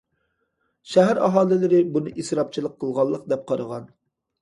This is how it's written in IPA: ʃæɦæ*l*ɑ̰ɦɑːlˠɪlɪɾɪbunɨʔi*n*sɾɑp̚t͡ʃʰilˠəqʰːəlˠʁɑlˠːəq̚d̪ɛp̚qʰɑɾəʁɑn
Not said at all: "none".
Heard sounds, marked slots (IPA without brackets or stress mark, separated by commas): ɾ, none